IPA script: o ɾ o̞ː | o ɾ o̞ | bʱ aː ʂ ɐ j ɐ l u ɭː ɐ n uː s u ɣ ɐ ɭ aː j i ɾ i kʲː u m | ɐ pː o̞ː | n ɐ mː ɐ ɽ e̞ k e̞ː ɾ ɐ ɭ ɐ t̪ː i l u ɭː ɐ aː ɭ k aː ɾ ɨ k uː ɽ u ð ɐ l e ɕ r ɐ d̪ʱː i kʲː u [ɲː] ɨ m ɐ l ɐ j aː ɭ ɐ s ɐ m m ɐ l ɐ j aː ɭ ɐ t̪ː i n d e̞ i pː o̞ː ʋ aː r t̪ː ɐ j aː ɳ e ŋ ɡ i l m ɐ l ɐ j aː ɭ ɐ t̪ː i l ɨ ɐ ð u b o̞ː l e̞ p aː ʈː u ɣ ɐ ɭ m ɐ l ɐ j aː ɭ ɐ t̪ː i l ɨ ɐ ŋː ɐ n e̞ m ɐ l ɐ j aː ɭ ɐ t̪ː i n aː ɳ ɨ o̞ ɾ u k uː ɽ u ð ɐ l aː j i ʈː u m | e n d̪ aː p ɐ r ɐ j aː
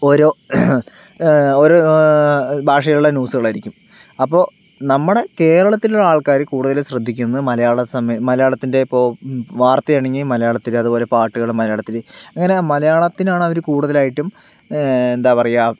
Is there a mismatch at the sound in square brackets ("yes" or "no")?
yes